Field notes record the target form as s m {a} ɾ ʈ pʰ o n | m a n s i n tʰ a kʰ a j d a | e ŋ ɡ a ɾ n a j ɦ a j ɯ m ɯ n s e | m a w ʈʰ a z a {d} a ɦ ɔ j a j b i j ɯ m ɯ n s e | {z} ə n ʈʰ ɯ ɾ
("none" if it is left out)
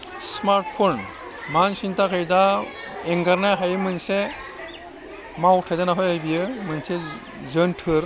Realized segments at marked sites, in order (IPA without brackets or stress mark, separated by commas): a, n, z